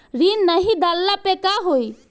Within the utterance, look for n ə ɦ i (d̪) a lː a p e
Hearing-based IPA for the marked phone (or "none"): d̪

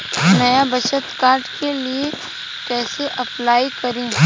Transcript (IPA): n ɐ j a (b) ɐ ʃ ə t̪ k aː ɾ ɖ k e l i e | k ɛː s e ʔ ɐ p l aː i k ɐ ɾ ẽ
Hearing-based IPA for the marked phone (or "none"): b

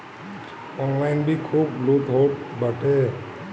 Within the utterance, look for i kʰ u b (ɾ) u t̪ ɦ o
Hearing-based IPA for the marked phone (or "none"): l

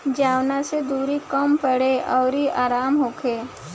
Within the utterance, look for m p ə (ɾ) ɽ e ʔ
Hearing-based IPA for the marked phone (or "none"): none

